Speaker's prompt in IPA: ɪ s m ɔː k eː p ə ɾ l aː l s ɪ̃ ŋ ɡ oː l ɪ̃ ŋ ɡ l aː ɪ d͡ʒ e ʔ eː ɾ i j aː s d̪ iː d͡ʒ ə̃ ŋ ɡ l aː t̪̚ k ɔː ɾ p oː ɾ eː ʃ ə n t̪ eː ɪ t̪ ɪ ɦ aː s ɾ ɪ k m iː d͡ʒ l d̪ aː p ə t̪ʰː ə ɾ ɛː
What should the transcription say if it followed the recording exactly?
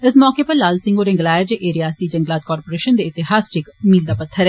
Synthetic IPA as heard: ɪ s m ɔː k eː p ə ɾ l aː l s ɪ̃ ŋ ɡ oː ɾ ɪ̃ ŋ ɡ l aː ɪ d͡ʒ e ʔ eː ɾ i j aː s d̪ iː d͡ʒ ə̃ ŋ ɡ l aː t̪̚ k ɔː ɾ p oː ɾ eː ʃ ə n d̪ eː ɪ t̪ ɪ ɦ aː s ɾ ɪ k m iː l d̪ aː p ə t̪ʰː ə ɾ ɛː